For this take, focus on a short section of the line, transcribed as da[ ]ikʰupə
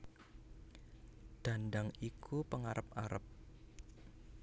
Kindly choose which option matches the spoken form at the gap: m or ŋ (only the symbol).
ŋ